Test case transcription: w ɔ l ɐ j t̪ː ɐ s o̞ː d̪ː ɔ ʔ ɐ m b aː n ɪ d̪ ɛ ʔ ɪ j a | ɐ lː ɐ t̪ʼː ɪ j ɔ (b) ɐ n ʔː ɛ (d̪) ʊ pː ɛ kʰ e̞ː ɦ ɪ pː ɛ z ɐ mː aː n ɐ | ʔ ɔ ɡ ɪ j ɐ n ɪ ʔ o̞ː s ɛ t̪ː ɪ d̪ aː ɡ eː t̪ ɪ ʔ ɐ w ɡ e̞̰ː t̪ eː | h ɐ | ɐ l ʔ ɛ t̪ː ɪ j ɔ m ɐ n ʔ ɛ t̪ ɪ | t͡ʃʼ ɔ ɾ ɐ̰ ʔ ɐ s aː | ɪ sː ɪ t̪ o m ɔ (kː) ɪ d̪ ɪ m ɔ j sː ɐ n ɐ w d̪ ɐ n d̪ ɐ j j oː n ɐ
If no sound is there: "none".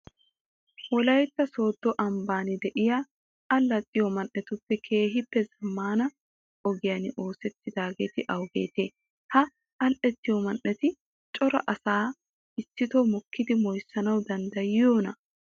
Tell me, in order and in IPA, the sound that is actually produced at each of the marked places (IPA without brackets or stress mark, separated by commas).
m, t̪, kː